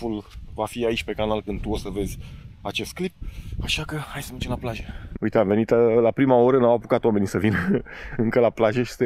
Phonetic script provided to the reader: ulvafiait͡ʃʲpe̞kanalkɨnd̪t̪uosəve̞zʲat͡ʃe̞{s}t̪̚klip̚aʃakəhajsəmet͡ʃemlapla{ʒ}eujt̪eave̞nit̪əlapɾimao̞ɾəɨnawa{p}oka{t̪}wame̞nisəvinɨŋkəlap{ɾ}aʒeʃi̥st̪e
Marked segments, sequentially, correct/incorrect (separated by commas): correct, correct, correct, correct, incorrect